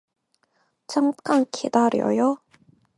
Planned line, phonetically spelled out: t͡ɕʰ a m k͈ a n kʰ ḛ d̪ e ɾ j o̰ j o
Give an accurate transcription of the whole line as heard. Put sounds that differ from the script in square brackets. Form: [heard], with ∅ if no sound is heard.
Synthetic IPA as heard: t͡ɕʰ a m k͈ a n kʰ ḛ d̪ [a] ɾ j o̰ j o